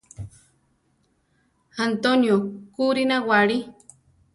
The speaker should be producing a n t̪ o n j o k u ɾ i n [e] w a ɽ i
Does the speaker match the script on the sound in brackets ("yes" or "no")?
no